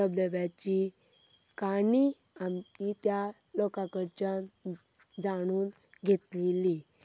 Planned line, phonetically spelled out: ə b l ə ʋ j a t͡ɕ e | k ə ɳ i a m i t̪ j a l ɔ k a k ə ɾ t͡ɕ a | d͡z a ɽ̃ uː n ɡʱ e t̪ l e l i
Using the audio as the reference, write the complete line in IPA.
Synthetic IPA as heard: ə b l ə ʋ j a t͡ɕ i | k a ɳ i a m i t̪ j a l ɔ k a k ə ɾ t͡ɕ a | d͡z a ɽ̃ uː n ɡʱ e t̪ l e l i